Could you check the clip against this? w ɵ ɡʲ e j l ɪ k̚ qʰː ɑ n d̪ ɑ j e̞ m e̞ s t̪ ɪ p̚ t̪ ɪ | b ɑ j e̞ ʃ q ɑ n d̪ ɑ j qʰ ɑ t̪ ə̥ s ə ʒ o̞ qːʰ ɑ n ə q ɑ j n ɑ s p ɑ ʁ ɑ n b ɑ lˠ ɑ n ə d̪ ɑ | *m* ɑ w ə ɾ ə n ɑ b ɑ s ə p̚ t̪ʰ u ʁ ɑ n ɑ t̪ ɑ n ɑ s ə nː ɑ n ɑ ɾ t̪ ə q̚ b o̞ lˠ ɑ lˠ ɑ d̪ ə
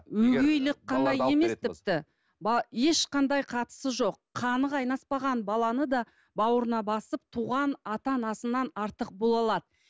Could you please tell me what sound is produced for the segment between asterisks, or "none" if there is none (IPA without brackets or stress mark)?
b